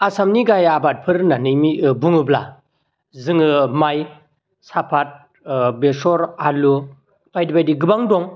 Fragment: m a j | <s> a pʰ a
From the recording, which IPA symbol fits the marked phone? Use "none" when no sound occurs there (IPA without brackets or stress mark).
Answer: s